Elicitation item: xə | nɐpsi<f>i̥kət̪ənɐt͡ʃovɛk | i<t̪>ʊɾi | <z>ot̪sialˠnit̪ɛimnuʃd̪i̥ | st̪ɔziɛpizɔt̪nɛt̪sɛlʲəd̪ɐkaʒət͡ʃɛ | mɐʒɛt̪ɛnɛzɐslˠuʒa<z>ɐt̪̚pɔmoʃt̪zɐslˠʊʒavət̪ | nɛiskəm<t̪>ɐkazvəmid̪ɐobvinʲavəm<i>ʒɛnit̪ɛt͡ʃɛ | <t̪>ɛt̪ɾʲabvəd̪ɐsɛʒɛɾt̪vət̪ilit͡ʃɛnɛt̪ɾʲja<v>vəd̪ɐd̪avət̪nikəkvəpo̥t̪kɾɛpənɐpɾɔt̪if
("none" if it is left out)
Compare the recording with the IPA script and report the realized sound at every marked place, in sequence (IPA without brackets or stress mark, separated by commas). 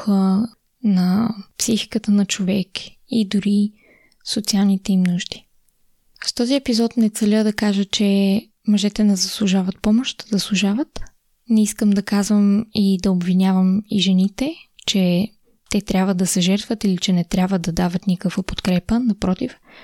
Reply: x, d̪, s, v, d̪, i, t̪, b